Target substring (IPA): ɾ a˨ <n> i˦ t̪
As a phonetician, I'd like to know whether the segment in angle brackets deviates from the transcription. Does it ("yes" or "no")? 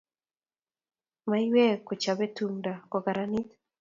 no